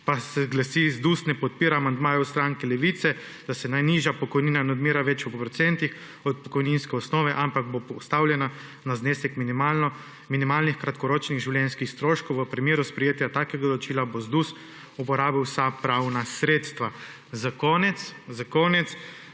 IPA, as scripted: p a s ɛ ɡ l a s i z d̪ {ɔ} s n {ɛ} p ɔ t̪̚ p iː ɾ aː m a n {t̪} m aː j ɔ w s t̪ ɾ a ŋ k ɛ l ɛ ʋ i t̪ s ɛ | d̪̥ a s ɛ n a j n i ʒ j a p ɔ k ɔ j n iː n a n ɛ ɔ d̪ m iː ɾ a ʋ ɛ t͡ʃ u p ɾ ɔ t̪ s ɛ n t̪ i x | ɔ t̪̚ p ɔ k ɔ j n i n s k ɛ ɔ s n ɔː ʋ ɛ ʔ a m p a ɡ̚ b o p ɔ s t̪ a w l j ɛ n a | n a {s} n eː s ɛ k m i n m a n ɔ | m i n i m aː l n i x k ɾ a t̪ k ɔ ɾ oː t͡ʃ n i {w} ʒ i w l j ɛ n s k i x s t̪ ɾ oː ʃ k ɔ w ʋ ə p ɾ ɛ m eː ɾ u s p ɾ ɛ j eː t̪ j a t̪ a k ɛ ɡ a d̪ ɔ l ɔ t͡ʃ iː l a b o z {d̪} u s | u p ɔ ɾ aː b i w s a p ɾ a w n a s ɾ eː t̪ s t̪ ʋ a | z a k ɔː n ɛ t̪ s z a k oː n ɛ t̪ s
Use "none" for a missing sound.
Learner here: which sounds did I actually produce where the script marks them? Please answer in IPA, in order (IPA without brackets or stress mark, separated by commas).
u, ɛ, d̪, z, ɣ, d̪